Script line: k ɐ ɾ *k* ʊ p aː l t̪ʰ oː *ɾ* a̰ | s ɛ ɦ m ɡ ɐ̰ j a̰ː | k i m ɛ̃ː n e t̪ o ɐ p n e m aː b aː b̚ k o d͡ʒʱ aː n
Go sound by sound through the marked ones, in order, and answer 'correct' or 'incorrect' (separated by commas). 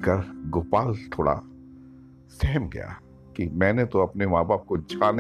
incorrect, incorrect